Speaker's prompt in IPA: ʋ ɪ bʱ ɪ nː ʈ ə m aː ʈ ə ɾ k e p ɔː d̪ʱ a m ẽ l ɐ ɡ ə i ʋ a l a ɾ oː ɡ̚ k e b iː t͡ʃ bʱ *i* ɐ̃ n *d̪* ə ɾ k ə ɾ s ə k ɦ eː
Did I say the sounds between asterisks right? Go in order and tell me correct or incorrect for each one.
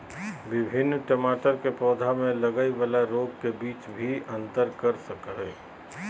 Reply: correct, incorrect: t̪

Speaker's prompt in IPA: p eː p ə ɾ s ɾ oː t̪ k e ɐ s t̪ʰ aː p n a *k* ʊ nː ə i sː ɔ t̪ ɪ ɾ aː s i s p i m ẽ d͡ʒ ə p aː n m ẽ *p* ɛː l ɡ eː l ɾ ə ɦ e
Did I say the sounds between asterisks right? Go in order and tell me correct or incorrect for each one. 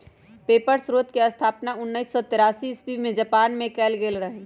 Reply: incorrect: none, incorrect: k

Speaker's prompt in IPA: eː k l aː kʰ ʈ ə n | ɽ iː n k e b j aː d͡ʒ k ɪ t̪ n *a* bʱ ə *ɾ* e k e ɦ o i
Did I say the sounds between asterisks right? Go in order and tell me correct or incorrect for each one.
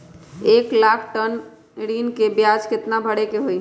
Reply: correct, incorrect: ɽ

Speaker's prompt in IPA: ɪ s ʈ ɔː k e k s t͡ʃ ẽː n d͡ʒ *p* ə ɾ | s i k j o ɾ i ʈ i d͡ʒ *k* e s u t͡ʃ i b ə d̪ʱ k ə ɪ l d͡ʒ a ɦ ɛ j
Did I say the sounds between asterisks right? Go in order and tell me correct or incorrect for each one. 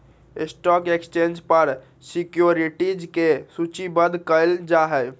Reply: correct, correct

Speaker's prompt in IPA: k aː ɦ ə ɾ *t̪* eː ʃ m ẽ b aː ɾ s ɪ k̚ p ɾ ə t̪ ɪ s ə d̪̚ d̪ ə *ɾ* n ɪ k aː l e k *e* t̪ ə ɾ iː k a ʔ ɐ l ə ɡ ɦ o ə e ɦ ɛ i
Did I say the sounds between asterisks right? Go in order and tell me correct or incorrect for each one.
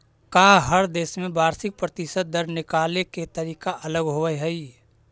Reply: incorrect: d̪, correct, correct

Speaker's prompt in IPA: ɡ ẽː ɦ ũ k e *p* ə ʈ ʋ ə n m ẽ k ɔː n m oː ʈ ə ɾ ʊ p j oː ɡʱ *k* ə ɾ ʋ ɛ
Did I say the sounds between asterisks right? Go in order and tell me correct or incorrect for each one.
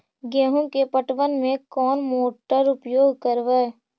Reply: correct, correct

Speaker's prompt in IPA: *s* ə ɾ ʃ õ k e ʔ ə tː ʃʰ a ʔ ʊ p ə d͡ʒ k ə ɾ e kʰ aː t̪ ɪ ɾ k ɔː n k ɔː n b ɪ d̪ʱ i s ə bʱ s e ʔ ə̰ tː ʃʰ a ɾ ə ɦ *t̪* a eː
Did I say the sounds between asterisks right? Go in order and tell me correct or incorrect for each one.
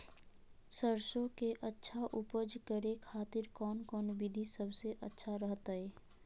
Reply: correct, correct

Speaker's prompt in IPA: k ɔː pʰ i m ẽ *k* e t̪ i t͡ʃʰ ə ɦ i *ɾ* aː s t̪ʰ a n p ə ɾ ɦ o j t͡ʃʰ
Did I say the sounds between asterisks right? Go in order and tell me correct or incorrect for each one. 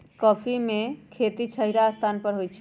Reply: incorrect: kʰ, correct

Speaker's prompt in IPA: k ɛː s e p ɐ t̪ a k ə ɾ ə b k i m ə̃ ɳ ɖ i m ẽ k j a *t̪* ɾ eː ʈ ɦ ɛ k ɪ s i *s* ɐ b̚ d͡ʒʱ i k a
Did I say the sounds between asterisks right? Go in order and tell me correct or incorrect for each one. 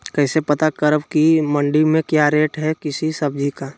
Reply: incorrect: none, correct

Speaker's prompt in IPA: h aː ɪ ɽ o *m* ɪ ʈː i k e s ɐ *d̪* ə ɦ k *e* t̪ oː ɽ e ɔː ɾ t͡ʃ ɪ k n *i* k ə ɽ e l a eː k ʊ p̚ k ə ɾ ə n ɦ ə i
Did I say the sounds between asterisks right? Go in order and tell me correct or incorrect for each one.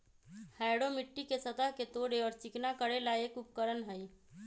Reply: correct, incorrect: t̪, correct, incorrect: a

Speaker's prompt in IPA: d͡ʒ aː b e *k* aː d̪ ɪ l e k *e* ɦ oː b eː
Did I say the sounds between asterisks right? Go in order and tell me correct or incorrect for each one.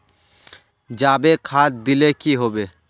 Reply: incorrect: kʰ, incorrect: i

